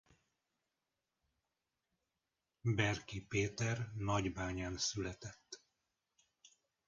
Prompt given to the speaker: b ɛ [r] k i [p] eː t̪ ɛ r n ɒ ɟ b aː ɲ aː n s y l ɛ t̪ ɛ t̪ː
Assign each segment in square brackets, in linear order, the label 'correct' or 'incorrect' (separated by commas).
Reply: correct, correct